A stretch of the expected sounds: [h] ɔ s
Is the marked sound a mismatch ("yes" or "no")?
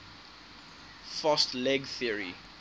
yes